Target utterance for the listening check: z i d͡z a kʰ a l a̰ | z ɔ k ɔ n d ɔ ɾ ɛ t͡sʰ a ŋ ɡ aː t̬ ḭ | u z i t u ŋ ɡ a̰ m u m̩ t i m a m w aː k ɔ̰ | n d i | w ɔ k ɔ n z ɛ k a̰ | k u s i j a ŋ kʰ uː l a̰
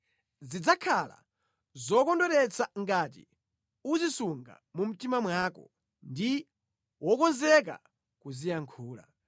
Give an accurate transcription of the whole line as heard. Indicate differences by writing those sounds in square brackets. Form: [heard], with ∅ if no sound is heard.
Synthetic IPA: z i d͡z a kʰ a l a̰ | z ɔ k ɔ n d ɔ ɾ ɛ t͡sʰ a ŋ ɡ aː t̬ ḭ | u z i [s] u ŋ ɡ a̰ m u m̩ t i m a m w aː k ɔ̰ | n d i | w ɔ k ɔ n z ɛ k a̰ | k u [z] i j a ŋ kʰ uː l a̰